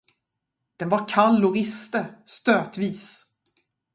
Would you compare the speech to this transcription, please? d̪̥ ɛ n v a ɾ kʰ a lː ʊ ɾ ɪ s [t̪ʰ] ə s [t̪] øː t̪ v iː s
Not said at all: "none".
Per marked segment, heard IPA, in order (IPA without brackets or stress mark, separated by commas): t̪, t̪